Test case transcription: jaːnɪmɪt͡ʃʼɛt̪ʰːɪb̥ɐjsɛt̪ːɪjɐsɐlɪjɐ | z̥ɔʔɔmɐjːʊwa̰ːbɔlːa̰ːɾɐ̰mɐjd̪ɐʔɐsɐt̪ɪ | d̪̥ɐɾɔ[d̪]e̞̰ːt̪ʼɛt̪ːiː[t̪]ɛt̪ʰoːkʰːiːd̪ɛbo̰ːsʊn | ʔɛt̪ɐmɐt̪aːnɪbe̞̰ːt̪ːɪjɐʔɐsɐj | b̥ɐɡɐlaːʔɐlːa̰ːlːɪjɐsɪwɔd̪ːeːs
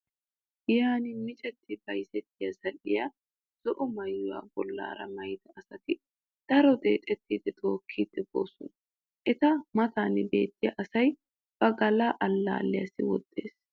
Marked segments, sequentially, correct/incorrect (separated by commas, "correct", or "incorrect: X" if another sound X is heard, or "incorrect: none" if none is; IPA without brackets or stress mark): correct, incorrect: d̪